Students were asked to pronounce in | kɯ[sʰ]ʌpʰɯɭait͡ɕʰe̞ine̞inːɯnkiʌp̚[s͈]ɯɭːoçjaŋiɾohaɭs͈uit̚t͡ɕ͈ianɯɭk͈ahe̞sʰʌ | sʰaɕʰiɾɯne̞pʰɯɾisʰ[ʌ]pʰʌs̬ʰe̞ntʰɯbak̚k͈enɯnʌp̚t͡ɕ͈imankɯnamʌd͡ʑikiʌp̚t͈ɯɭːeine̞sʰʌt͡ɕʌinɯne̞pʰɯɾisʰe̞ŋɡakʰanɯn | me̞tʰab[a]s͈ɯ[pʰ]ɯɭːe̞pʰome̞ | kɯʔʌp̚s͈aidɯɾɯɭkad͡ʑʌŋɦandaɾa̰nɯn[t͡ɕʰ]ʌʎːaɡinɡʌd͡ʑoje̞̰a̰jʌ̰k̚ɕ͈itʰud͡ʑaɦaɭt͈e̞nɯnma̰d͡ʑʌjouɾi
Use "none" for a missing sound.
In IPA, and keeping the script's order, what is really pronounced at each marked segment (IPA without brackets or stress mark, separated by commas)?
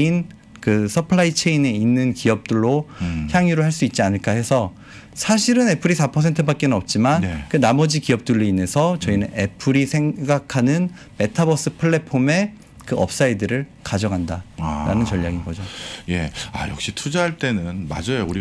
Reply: sʰ, t͈, a, ʌ, pʰ, t͡ɕ